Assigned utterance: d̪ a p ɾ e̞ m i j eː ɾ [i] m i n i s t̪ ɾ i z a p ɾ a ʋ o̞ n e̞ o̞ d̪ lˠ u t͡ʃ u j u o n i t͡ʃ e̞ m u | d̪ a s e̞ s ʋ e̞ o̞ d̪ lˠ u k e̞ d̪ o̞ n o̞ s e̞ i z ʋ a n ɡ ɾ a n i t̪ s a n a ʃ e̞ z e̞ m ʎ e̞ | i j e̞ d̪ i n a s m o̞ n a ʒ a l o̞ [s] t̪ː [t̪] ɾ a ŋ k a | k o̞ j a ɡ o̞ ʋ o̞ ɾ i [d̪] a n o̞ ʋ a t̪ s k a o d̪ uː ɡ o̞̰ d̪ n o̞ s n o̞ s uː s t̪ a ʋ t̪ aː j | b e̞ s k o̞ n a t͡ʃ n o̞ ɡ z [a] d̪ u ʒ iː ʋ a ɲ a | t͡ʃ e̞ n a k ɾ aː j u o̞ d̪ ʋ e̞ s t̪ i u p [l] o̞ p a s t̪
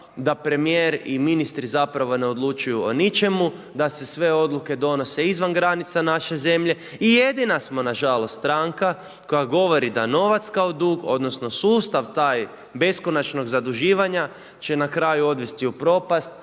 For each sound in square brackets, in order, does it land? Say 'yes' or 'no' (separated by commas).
yes, yes, yes, yes, yes, no